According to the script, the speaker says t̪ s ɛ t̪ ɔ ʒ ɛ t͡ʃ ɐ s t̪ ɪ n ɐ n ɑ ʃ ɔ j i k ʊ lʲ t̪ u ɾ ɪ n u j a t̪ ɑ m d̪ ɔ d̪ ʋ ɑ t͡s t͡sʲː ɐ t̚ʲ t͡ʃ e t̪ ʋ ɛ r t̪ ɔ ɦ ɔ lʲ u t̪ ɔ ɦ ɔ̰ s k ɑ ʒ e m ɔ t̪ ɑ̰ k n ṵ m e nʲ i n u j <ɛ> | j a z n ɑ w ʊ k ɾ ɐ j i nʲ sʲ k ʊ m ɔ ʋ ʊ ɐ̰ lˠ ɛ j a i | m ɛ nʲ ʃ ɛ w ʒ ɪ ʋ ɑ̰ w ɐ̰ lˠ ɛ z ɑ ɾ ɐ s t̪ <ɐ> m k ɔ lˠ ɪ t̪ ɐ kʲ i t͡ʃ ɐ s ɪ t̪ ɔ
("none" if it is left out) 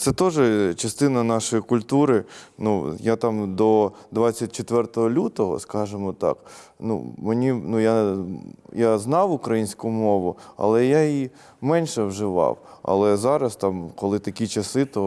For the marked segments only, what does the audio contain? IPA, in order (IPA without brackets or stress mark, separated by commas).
a, ɑ